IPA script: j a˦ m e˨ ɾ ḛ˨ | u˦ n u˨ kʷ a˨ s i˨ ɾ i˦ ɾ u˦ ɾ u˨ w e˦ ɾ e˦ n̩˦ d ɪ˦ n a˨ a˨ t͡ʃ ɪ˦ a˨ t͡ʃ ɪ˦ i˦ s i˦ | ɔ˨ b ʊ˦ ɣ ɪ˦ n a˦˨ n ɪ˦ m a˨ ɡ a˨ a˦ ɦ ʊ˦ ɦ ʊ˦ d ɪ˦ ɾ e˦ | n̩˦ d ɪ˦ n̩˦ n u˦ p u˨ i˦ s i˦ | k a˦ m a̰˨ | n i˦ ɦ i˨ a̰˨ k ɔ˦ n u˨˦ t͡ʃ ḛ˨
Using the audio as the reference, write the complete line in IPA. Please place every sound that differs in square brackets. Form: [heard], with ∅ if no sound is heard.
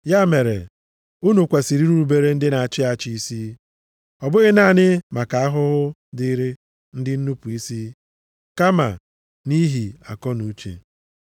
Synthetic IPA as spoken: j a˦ m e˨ ɾ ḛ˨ | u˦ n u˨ kʷ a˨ s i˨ ɾ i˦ ɾ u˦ ɾ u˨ [b] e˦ ɾ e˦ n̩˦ d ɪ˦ n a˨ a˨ t͡ʃ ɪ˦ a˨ t͡ʃ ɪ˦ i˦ s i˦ | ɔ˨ b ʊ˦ ɣ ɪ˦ n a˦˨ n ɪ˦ m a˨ [k] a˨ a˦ ɦ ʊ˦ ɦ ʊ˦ d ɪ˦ ɾ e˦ | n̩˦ d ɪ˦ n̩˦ n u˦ p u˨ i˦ s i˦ | k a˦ m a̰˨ | n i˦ ɦ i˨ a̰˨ k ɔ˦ n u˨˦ t͡ʃ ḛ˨